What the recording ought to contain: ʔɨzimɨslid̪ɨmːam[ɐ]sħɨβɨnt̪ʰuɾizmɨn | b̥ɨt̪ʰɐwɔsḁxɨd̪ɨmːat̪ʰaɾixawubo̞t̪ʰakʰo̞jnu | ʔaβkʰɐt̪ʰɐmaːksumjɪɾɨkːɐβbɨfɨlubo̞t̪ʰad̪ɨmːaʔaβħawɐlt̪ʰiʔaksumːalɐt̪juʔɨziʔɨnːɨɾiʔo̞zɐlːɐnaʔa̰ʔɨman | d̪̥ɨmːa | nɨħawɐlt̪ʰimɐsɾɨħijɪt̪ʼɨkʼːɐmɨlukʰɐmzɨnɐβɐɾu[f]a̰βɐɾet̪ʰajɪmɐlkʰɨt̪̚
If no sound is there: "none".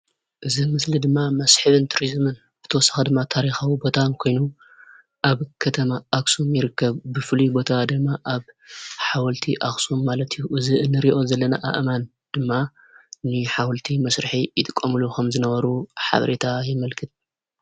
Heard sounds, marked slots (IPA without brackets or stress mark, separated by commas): ɐ, ħ